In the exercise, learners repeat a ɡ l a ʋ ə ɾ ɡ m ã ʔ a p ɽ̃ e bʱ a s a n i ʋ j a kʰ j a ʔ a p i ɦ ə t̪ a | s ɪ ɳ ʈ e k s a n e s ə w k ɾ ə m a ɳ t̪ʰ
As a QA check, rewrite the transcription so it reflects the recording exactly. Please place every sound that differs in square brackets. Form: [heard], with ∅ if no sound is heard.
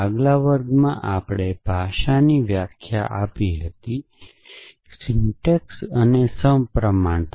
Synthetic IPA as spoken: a ɡ l a ʋ ə ɾ ɡ m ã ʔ a p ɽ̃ e bʱ a [ʃ] a n i ʋ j a kʰ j a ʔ a p i ɦ ə t̪ [i] | s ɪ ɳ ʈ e k s [ə] n e s ə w [p] ɾ ə m a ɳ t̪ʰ